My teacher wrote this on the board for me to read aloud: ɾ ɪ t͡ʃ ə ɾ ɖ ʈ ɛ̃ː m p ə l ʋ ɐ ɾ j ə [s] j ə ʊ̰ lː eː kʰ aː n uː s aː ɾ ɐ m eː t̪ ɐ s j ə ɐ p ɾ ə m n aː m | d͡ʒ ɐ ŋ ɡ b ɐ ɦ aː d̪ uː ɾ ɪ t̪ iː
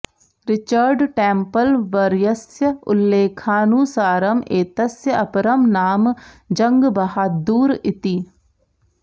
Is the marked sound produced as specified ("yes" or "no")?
yes